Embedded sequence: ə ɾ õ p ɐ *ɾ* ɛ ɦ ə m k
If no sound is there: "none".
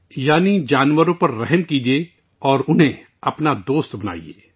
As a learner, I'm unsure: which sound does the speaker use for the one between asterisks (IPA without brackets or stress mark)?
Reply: ɾː